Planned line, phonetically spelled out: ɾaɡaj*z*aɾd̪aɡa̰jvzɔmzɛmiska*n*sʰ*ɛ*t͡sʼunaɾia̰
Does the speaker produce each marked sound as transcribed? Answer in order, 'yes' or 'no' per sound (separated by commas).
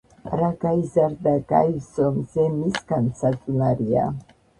yes, yes, no